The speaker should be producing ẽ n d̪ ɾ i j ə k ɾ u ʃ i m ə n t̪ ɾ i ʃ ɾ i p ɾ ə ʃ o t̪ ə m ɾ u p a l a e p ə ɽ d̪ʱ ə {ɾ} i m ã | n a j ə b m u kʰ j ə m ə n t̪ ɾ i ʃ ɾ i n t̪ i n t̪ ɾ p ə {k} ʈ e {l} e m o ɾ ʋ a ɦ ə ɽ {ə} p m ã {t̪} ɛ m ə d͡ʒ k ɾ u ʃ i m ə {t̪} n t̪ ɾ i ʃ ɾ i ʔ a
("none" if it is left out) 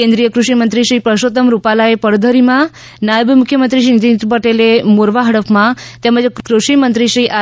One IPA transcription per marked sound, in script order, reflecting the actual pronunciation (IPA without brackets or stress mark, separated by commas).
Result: ɾ, none, l, ə, t̪, none